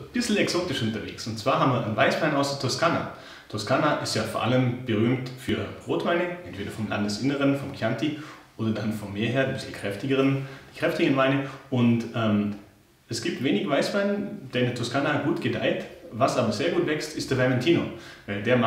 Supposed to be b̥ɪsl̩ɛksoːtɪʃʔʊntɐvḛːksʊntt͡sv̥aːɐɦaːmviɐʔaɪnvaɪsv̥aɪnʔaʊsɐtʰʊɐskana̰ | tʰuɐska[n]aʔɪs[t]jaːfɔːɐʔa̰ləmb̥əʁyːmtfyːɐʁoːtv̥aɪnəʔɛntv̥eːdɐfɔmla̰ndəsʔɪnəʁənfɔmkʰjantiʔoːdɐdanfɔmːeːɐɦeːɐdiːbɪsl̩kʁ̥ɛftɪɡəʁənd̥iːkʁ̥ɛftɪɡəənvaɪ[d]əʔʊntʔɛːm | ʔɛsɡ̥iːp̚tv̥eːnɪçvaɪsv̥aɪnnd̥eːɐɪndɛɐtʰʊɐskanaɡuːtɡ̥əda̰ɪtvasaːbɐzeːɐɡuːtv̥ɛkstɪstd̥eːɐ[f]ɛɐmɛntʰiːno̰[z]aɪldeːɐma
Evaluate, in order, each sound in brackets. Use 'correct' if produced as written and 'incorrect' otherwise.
correct, correct, incorrect: n, incorrect: v, incorrect: v

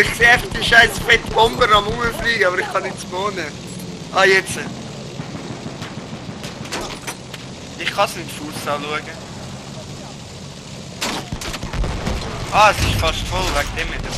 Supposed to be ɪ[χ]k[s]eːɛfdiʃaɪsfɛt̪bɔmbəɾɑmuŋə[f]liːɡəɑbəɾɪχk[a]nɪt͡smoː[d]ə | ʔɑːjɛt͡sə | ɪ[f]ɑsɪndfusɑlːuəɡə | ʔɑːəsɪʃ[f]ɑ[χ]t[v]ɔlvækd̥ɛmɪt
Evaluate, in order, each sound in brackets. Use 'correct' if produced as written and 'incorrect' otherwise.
correct, correct, correct, incorrect: ɑ, incorrect: n, incorrect: χ, correct, incorrect: ʃ, incorrect: f

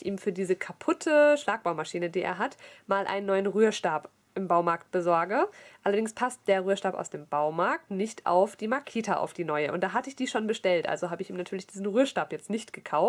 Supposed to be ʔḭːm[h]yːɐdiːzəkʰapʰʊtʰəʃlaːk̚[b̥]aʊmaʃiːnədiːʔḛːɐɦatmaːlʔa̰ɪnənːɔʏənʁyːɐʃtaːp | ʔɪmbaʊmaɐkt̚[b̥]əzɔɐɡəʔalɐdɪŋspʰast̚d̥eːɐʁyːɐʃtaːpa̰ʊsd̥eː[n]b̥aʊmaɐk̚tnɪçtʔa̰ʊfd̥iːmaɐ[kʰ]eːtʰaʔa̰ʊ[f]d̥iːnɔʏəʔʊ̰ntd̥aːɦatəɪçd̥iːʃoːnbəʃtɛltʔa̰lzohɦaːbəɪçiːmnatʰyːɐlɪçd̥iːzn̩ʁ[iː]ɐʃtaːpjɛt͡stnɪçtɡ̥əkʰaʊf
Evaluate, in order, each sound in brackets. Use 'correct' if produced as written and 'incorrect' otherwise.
incorrect: f, correct, correct, incorrect: m, correct, correct, incorrect: yː

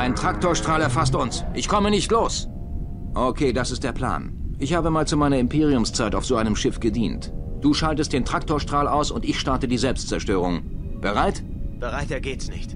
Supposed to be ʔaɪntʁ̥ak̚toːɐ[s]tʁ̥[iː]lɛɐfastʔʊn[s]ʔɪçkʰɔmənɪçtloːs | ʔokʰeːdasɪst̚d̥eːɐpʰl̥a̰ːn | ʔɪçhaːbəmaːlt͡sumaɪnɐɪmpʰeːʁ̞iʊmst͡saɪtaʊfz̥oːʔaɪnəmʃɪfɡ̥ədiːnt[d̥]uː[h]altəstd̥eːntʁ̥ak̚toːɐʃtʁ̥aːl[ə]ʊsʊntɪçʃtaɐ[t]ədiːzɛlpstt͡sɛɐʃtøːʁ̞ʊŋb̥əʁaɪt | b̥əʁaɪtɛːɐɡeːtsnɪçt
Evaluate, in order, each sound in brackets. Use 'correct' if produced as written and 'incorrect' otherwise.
incorrect: ʃ, incorrect: aː, correct, correct, incorrect: ʃ, incorrect: a, correct

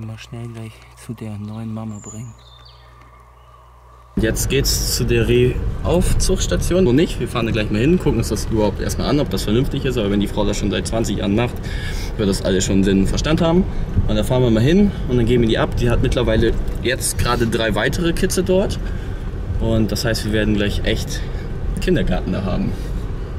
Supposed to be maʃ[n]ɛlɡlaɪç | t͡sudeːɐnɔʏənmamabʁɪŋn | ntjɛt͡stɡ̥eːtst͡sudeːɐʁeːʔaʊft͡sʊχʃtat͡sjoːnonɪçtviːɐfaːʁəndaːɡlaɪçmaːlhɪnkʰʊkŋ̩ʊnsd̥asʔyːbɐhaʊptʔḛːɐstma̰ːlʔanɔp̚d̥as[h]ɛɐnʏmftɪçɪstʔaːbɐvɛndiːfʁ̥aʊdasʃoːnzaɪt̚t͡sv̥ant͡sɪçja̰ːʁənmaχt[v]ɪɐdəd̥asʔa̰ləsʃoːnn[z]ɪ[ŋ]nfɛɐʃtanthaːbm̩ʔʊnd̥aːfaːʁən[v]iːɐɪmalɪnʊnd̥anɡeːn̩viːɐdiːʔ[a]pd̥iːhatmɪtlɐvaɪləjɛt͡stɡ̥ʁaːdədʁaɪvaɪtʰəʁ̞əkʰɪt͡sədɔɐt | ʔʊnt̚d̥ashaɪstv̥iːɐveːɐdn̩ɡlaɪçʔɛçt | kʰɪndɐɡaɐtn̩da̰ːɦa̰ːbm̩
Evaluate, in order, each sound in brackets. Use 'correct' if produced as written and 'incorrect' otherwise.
correct, incorrect: f, correct, correct, incorrect: n, correct, correct

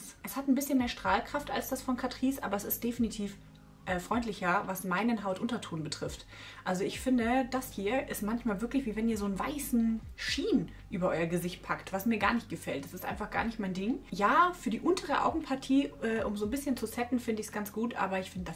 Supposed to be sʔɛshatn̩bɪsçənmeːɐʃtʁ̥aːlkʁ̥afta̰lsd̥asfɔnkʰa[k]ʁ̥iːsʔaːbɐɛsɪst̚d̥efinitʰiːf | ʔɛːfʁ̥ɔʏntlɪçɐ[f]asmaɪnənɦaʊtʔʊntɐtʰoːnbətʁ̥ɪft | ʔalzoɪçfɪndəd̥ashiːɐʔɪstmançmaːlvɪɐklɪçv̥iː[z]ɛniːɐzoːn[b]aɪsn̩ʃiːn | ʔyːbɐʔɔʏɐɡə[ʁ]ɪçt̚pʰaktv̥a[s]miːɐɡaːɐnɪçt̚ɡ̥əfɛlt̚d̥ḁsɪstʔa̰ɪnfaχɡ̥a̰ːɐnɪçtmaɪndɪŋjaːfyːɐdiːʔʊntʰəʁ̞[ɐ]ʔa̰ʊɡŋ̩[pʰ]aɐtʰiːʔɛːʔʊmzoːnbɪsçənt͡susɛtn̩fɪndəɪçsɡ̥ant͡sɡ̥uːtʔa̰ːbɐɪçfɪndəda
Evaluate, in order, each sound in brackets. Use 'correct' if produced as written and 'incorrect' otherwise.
incorrect: t, incorrect: v, incorrect: v, incorrect: v, incorrect: z, correct, incorrect: ə, correct

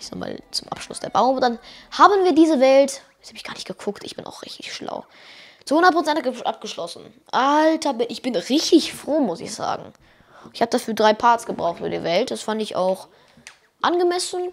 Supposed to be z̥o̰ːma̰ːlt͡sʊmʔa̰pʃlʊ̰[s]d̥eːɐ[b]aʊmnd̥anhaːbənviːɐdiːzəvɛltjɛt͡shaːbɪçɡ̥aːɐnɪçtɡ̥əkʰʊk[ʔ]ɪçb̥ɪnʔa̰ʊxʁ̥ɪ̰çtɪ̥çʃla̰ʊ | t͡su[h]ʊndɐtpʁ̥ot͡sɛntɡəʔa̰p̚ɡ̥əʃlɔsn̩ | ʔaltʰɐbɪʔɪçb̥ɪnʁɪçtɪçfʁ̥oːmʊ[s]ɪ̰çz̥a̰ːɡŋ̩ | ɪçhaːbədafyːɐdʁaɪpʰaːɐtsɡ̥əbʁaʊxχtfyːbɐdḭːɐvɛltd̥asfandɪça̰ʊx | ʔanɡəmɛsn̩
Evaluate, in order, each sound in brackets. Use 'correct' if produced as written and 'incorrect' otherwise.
correct, correct, incorrect: t, correct, correct

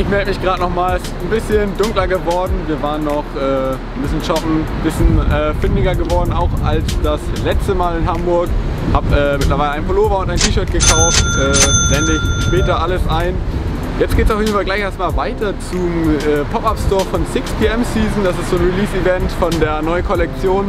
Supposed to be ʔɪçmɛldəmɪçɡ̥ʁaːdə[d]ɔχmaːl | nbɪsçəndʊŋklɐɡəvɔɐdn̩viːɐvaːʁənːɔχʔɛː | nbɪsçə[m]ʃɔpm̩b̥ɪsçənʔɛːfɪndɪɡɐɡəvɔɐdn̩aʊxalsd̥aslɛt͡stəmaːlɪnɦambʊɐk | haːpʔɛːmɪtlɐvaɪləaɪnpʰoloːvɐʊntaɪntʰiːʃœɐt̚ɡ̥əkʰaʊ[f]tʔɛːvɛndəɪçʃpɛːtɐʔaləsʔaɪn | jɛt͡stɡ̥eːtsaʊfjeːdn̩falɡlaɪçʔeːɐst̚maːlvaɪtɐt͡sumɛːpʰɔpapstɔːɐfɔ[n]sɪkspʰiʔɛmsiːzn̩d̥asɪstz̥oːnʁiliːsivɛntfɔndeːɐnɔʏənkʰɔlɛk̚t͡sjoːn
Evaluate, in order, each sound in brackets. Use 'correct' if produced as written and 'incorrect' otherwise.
incorrect: n, incorrect: n, correct, correct

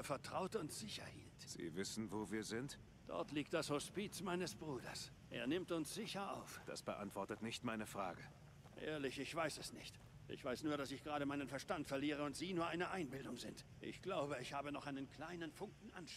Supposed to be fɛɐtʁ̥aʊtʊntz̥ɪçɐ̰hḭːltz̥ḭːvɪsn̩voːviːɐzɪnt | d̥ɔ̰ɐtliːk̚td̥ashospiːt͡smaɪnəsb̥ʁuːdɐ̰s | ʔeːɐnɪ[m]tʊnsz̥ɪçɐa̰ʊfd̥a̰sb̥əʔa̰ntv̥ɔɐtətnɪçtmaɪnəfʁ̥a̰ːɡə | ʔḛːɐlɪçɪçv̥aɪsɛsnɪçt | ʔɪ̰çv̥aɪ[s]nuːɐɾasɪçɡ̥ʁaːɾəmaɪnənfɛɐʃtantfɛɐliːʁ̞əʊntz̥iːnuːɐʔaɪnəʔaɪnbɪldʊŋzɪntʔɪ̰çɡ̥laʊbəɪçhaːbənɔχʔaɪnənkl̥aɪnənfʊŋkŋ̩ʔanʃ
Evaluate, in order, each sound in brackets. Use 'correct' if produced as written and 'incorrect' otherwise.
correct, correct

